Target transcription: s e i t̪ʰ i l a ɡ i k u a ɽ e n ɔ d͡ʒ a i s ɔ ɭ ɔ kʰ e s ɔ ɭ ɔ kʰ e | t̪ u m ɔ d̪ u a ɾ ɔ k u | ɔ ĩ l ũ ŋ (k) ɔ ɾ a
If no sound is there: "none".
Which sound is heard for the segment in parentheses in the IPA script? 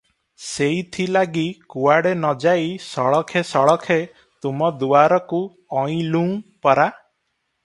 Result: p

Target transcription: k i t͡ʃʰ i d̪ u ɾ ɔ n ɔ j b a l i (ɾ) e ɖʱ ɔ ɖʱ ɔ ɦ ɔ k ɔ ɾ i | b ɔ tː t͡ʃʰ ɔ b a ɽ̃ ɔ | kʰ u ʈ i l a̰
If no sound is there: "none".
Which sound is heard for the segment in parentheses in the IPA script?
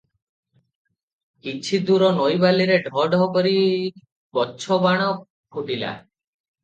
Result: ɾ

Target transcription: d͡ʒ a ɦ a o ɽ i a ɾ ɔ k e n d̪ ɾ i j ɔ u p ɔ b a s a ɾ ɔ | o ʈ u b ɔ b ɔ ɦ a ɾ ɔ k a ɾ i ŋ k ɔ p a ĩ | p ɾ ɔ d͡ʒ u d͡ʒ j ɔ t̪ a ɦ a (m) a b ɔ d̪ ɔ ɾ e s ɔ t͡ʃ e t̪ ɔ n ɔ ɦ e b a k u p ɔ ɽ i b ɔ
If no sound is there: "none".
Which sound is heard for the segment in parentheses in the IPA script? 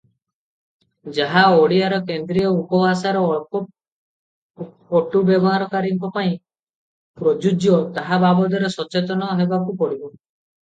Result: b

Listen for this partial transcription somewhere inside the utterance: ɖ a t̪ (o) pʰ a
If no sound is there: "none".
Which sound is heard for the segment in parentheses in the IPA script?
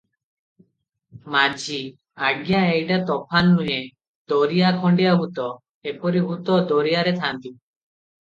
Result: ɔ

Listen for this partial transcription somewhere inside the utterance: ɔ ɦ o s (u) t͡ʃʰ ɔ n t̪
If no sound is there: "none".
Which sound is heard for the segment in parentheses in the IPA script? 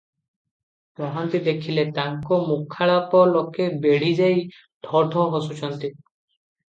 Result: u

